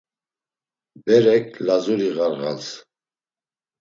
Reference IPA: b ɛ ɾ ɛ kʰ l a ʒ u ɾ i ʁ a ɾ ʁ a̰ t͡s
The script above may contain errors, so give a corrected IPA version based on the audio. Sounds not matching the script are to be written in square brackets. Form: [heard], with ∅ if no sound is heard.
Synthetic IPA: b ɛ ɾ ɛ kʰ l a [z] u ɾ i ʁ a ɾ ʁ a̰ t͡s